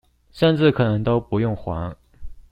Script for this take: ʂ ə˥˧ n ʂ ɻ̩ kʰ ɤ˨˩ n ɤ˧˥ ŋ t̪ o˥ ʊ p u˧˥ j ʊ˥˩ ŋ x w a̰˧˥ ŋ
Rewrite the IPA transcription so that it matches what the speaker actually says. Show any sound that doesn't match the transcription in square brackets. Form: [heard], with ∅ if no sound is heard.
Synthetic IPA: ʂ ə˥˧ n [ʈ͡ʂ] ɻ̩ kʰ ɤ˨˩ n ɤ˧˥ ŋ t̪ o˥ ʊ p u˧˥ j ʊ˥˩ ŋ x w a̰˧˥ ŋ